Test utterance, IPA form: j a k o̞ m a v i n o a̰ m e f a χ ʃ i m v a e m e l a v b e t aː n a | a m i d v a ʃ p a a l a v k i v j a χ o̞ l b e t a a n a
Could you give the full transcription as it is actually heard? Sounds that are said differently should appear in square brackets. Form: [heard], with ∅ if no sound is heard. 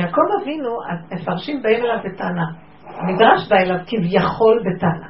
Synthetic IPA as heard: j a k o̞ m a v i n [u] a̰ m e f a [ʁ] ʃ i m [b] a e m e l a v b e t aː n a | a m i d [ʁ] a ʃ [b] a [e] l a v k i v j a χ o̞ l b e t a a n a